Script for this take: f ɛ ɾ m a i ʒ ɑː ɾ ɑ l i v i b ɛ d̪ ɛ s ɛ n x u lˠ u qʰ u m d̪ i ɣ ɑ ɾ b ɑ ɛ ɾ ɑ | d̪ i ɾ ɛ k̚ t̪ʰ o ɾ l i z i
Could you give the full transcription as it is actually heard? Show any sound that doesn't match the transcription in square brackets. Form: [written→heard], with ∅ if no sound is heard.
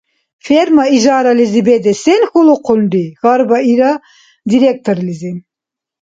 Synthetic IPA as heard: f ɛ ɾ m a i ʒ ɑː ɾ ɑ l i [v→z] i b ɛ d̪ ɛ s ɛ n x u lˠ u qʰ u [m→n] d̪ i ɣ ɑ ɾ b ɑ [ɛ→i] ɾ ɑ | d̪ i ɾ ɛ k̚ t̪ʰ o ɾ l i z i

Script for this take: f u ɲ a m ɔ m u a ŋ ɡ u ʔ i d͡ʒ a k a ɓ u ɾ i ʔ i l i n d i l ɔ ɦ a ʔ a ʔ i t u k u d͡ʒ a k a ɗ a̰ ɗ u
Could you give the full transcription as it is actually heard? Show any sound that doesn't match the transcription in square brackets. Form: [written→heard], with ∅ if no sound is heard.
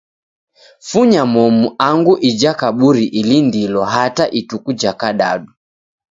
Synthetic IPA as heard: f u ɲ a m ɔ m u a ŋ ɡ u ʔ i d͡ʒ a k a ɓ u ɾ i ʔ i l i n d i l ɔ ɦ a [ʔ→t] a ʔ i t u k u d͡ʒ a k a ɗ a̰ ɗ u

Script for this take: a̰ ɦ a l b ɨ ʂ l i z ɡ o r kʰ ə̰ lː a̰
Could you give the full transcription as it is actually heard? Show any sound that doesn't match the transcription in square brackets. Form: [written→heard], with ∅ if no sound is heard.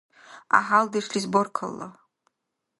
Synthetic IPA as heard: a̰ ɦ a l [b→d] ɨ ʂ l i z [ɡ→b] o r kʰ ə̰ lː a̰

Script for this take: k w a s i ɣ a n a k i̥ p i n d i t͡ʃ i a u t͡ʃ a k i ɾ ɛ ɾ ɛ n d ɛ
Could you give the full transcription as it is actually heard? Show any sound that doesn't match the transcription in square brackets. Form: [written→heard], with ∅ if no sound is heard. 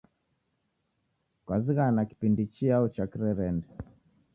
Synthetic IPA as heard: k w a [s→z] i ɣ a n a k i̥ p i n d i t͡ʃ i a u t͡ʃ a k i ɾ ɛ ɾ ɛ n d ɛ

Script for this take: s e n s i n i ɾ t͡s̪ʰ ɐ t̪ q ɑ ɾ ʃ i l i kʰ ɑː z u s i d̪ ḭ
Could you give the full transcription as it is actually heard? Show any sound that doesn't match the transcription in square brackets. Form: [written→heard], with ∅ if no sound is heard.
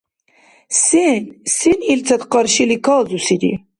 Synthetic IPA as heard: s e n s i n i [ɾ→l] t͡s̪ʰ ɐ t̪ q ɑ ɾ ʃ i l i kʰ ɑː z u s i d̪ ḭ

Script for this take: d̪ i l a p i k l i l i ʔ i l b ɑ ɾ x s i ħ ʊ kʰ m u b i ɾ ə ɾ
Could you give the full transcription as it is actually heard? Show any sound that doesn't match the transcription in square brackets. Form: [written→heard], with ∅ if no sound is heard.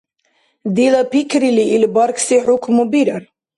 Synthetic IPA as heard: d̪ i l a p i k [l→ɾ] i l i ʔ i l b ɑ ɾ [x→k] s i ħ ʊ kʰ m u b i ɾ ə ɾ

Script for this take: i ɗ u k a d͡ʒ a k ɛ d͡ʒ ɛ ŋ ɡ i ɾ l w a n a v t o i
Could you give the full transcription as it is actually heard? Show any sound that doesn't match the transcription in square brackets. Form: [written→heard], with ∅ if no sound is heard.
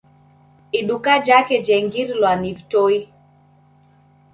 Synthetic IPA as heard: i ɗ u k a d͡ʒ a k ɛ d͡ʒ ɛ ŋ ɡ i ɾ l w a n [a→i] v t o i

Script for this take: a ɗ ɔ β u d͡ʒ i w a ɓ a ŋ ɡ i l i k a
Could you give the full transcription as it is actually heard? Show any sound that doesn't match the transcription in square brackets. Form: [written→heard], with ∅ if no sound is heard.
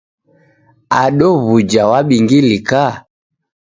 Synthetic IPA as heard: a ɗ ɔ β u d͡ʒ [i→a] w a ɓ [a→i] ŋ ɡ i l i k a

